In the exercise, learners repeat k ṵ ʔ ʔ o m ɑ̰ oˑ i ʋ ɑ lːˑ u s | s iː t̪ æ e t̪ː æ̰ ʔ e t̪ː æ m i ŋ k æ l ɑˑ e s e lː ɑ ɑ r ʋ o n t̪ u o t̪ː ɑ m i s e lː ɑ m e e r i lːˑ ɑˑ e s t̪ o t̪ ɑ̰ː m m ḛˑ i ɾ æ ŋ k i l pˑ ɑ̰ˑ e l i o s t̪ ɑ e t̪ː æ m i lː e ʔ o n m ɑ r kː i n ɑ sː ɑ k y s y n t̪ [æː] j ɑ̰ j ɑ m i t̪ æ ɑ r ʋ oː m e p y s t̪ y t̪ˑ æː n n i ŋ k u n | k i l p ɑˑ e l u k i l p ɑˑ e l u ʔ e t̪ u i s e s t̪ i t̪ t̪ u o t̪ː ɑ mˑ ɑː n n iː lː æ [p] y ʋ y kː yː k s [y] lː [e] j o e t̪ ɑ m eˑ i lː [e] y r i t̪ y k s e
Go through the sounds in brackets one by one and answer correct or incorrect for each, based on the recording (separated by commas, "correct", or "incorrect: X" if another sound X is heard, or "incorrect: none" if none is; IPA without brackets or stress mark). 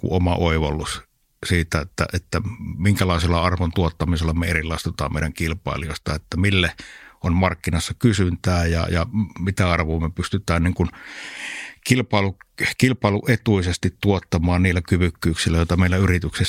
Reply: correct, incorrect: k, incorrect: i, incorrect: æ, incorrect: æ